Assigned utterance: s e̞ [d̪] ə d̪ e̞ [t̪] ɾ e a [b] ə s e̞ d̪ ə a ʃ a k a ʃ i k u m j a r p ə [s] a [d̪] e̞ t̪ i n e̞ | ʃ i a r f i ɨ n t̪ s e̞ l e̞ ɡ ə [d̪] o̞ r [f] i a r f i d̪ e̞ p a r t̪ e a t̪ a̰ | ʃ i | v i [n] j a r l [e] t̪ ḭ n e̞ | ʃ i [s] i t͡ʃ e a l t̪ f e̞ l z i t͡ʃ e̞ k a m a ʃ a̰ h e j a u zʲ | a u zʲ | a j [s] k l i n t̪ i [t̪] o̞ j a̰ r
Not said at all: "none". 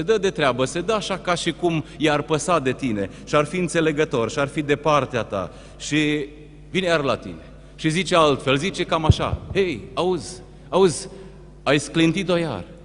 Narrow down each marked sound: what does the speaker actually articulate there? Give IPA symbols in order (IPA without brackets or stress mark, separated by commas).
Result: d̪, t̪, b, s, d̪, t̪, ʃ, n, a, z, s, t̪